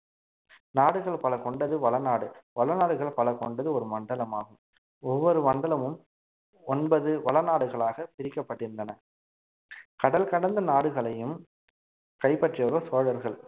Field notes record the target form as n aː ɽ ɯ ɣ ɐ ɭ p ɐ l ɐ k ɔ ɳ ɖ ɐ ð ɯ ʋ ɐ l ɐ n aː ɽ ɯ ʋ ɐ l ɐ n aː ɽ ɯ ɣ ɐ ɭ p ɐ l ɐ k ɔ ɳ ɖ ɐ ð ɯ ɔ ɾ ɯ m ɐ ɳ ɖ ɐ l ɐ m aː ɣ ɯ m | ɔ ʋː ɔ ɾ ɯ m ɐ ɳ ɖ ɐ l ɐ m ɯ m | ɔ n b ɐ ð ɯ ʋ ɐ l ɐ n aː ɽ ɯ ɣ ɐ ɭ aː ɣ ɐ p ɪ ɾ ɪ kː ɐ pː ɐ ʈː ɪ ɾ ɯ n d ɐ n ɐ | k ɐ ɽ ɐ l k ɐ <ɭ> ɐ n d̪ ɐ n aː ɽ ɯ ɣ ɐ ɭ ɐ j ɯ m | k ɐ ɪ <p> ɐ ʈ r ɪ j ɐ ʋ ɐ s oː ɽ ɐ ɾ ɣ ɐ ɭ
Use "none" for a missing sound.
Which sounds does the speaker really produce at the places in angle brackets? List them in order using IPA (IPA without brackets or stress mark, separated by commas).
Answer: ɽ, p